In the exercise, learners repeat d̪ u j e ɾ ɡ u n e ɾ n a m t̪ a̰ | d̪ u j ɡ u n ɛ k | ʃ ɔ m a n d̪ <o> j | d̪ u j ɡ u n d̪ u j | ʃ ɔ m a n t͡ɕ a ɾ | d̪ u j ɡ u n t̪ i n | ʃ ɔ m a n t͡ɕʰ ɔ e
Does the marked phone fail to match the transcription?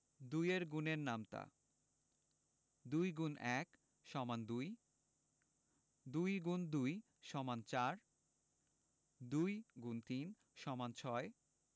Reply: yes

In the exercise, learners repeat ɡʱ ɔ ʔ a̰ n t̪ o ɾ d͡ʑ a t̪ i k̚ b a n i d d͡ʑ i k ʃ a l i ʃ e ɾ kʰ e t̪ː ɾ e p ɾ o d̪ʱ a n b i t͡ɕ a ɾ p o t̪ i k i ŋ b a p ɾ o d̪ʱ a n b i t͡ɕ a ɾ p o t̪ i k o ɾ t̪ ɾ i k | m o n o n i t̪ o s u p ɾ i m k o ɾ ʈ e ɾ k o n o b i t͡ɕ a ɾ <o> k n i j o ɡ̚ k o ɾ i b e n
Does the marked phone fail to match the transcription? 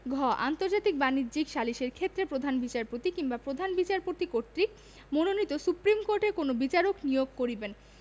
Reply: no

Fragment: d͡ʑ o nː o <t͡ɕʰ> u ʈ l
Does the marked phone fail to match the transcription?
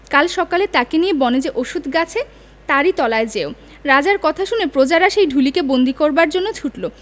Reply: no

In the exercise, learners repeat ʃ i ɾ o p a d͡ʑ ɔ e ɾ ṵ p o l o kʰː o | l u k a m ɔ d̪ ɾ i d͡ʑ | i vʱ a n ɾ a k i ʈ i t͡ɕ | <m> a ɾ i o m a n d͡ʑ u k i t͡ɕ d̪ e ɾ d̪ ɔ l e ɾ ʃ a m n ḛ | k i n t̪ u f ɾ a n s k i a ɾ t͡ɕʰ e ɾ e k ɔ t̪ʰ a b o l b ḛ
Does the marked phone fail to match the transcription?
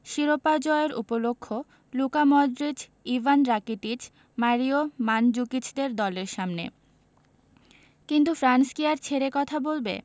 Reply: no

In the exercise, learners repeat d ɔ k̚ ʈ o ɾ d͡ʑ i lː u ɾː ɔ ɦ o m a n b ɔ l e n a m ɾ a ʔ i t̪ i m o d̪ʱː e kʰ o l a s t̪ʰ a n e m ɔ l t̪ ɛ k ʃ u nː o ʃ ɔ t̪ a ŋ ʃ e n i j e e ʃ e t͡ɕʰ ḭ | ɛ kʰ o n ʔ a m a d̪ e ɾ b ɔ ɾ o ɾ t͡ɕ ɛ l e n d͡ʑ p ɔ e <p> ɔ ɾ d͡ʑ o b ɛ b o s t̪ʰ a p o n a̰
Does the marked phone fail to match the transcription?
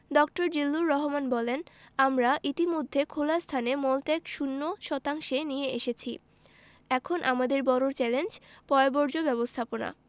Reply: yes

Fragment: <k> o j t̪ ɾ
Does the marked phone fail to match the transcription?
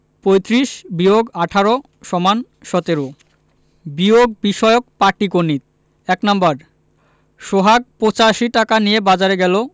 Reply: yes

